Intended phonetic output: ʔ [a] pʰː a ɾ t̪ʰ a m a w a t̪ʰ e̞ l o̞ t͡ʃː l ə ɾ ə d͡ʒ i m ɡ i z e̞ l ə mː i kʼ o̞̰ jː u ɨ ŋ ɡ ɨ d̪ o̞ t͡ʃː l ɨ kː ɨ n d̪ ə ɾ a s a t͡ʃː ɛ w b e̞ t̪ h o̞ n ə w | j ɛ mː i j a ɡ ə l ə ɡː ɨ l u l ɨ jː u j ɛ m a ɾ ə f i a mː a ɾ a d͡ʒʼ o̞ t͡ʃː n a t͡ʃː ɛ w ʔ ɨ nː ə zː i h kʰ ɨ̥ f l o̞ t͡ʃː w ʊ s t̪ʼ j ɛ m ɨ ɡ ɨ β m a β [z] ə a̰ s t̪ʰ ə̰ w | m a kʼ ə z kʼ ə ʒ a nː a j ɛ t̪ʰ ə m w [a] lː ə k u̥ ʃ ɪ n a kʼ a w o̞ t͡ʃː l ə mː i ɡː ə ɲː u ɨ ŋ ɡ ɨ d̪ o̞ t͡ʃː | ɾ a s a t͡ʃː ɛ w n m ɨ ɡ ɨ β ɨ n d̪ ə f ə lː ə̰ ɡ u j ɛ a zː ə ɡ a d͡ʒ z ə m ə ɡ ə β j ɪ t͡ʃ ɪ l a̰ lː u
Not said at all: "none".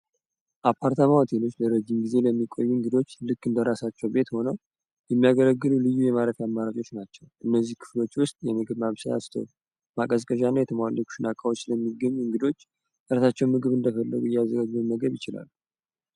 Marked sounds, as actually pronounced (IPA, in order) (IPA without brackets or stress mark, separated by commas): a, s, a